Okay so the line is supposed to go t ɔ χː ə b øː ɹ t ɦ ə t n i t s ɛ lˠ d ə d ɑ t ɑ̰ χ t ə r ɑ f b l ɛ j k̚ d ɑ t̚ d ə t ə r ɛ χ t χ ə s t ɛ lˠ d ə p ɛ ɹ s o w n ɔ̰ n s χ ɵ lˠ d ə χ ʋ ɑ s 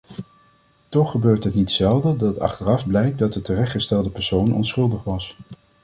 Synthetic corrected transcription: t ɔ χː ə b øː ɹ t ɦ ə t n i t s ɛ lˠ d ə d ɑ t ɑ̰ χ t ə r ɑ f b l ɛ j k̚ d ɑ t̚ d ə t ə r ɛ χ t χ ə s t ɛ lˠ d ə p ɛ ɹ s o w n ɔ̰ n s χ ɵ lˠ d ə χ ʋ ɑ s